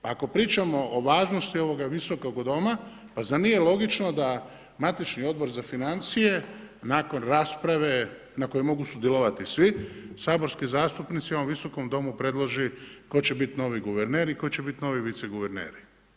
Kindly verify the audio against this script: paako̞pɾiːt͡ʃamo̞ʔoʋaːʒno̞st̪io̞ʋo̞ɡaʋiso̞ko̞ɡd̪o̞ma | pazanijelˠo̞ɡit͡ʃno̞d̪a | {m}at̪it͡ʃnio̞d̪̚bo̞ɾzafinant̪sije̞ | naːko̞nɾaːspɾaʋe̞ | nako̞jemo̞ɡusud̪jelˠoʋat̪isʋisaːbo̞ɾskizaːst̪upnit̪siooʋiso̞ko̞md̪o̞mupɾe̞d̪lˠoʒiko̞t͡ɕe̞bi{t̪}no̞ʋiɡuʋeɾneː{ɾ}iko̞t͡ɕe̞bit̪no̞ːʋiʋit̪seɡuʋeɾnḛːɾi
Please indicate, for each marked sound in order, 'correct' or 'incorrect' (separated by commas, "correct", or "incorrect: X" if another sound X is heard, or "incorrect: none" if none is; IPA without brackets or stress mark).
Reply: correct, correct, correct